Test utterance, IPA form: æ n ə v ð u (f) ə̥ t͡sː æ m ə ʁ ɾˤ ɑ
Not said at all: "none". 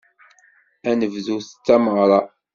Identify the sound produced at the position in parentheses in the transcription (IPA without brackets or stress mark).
θ